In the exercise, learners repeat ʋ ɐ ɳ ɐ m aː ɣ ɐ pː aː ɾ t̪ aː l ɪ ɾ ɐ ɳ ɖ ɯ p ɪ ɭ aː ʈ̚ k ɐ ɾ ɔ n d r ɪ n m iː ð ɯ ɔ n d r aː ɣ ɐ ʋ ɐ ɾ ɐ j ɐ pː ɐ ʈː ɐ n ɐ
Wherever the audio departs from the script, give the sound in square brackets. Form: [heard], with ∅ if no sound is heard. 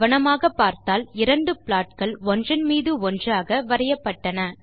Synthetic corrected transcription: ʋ ɐ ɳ ɐ m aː ɣ ɐ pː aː ɾ t̪ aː l ɪ ɾ ɐ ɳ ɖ ɯ p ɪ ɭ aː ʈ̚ k ɐ [ɭ] ɔ n d r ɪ n m iː ð ɯ ɔ n d r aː ɣ ɐ ʋ ɐ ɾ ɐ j ɐ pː ɐ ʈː ɐ n ɐ